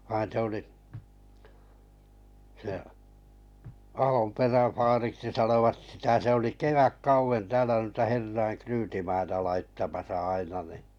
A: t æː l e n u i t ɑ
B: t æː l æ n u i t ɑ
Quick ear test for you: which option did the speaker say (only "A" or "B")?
B